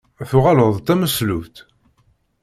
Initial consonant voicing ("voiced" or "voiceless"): voiceless